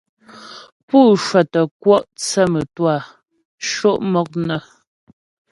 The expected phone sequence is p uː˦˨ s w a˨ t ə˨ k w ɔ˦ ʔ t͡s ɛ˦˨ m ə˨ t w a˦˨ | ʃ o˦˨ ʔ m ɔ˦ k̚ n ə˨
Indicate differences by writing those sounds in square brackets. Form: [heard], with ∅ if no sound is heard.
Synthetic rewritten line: p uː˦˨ [ʃ] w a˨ t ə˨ k w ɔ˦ ʔ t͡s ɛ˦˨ m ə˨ t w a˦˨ | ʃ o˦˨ ʔ m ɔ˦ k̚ n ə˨